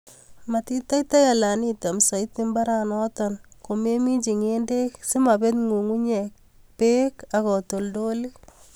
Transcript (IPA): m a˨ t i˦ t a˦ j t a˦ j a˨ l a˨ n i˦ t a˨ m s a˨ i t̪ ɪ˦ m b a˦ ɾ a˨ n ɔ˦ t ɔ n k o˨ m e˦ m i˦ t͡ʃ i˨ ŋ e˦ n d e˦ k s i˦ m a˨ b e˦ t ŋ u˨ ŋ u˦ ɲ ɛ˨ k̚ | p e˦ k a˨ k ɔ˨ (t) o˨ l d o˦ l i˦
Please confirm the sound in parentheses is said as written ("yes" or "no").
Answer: yes